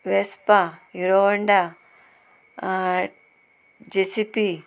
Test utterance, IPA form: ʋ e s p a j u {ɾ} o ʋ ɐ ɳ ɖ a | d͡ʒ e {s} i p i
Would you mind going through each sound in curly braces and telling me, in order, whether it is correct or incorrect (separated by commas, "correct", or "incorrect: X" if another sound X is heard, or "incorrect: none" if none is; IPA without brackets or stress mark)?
correct, correct